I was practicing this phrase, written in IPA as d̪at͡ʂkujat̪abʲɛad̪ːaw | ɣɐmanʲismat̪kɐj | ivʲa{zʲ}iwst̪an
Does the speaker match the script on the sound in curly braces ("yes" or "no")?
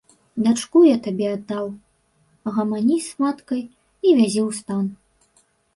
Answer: yes